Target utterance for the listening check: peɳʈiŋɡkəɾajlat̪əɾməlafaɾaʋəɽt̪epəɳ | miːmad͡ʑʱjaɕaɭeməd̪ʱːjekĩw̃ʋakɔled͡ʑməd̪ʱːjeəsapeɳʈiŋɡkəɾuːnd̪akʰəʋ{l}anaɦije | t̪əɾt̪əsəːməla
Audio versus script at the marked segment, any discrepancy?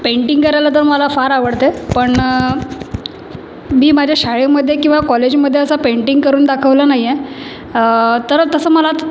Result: no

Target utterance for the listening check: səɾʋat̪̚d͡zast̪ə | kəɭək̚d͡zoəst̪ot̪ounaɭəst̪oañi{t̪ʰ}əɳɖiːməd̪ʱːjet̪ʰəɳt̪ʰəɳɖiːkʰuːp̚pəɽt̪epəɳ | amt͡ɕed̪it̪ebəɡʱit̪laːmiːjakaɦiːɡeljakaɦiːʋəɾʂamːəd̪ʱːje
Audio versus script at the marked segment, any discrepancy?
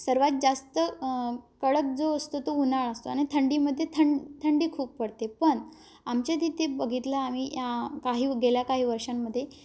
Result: no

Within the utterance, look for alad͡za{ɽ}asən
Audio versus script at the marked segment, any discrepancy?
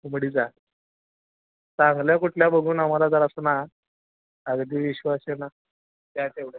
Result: yes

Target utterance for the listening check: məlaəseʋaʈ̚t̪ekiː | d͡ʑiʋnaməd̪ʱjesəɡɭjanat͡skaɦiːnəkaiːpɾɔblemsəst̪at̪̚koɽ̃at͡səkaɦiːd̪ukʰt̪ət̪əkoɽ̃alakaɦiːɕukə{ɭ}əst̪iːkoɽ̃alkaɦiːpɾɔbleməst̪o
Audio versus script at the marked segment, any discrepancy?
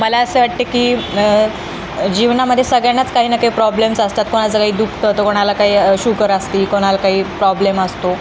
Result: yes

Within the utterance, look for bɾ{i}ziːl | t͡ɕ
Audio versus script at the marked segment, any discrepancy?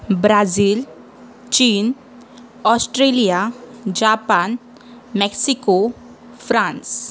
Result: yes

